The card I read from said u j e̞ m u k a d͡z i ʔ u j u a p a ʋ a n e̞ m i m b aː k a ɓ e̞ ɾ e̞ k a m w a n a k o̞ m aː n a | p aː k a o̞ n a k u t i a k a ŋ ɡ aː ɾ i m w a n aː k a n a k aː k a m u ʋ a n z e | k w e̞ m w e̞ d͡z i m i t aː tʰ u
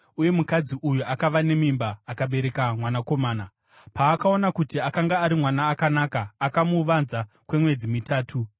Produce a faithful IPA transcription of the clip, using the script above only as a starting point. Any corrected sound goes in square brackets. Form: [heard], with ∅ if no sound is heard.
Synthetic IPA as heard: u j e̞ m u k a d͡z i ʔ u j u a [k] a ʋ a n e̞ m i m b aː k a ɓ e̞ ɾ e̞ k a m w a n a k o̞ m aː n a | p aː k a o̞ n a k u t i a k a ŋ ɡ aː ɾ i m w a n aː k a n a k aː k a m u ʋ a n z [a] | k w e̞ m w e̞ d͡z i m i t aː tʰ u